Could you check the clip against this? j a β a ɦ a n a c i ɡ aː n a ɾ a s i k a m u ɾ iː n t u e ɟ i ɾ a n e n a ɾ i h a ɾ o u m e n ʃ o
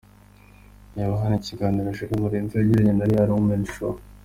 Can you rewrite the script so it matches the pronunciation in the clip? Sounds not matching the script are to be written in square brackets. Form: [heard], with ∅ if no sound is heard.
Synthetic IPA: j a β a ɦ a n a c i ɡ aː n [i] ɾ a [ʃ] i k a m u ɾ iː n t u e ɟ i ɾ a [ɲ] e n a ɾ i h a ɾ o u m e n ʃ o